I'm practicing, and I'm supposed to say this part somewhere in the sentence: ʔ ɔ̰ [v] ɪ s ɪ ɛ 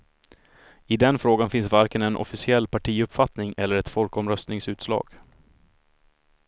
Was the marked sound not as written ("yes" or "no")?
yes